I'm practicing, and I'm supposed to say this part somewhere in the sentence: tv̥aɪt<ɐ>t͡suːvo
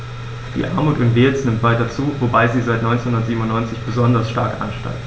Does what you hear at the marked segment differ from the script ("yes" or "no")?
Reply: no